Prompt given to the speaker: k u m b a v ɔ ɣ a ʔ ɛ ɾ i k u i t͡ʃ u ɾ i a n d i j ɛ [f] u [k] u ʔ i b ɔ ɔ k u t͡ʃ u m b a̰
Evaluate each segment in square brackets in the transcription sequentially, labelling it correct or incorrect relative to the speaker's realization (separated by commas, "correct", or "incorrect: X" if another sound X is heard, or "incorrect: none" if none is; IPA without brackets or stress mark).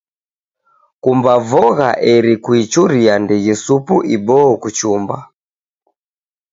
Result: incorrect: s, incorrect: p